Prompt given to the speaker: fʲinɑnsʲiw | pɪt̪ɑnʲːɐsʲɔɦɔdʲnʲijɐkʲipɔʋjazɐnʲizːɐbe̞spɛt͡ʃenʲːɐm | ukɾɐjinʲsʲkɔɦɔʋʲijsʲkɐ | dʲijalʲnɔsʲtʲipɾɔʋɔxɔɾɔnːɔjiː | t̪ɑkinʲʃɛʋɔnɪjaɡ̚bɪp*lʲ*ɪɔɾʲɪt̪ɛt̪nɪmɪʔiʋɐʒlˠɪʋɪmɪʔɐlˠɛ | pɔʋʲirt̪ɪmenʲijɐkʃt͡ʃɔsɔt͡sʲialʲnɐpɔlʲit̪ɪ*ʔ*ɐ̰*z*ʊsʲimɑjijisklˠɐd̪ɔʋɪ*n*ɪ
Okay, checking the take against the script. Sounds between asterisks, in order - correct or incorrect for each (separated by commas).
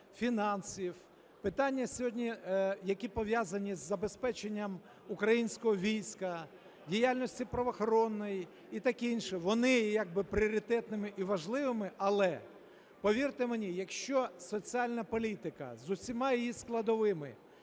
incorrect, incorrect, correct, incorrect